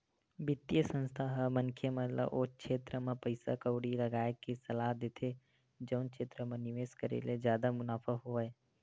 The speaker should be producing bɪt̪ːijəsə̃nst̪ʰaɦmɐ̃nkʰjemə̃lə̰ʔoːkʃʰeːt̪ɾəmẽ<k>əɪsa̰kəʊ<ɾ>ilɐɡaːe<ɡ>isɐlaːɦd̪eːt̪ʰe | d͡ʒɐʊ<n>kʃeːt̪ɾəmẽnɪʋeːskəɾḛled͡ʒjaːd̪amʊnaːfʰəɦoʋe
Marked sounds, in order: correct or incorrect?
incorrect: p, incorrect: ɽ, incorrect: k, correct

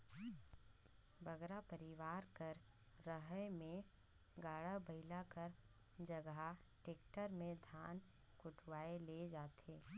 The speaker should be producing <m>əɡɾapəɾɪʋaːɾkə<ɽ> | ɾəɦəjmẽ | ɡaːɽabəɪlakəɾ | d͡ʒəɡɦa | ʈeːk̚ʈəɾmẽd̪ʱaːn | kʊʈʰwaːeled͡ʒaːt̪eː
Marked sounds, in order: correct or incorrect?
incorrect: b, incorrect: ɾ

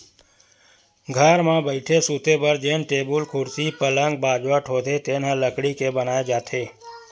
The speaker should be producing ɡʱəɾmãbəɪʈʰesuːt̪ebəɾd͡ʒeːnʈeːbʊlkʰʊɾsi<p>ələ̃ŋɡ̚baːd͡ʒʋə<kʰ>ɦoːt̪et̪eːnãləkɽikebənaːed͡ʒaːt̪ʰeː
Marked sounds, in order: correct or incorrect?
correct, incorrect: ʈʰ

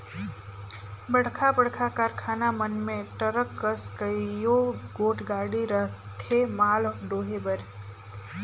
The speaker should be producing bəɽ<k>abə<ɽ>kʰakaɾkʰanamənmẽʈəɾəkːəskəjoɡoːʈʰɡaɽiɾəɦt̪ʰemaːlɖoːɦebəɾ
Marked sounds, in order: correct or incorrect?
incorrect: kʰ, correct

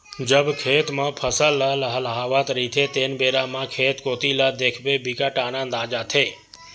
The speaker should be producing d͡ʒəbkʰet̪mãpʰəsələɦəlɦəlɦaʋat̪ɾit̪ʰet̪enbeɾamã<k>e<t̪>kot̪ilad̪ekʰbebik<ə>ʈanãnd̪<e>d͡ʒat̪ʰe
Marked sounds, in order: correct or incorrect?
incorrect: kʰ, correct, incorrect: a, incorrect: a

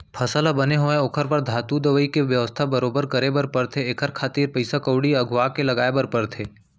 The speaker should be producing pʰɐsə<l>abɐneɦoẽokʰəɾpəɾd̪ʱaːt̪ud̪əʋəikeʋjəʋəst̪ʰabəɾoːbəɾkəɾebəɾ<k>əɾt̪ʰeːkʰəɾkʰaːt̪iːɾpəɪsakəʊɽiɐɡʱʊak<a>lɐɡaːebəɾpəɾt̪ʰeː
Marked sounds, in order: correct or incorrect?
correct, incorrect: p, incorrect: e

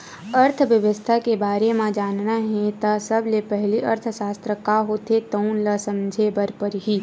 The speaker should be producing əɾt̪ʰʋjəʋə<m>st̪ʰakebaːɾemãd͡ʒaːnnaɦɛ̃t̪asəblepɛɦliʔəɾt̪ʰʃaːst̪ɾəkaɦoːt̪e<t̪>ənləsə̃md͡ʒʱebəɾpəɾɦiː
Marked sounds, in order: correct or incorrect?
incorrect: none, correct

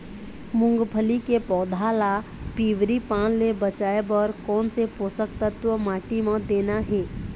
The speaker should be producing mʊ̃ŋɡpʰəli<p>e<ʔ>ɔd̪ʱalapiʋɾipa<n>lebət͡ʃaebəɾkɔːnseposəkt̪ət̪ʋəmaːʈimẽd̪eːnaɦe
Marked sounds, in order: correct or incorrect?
incorrect: k, incorrect: p, correct

